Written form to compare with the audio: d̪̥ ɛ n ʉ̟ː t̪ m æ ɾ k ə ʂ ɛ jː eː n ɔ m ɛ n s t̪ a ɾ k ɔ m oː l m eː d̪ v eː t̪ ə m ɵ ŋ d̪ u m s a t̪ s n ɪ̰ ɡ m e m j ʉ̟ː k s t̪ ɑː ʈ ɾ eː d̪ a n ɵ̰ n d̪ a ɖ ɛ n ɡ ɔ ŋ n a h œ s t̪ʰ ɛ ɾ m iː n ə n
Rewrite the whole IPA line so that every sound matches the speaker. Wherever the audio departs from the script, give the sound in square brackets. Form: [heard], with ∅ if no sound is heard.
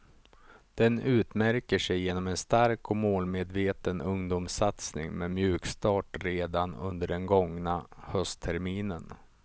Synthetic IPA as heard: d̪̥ ɛ n ʉ̟ː t̪ m æ ɾ k ə ʂ ɛ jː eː n ɔ m ɛ n s t̪ a ɾ k ɔ m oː l m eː d̪ v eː t̪ ə [n] ɵ ŋ d̪ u m s a t̪ s n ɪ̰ [ŋ] m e m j ʉ̟ː k s t̪ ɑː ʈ ɾ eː d̪ a n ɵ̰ n d̪ [ə] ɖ ɛ n ɡ ɔ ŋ n a h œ s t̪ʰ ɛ ɾ m iː n ə n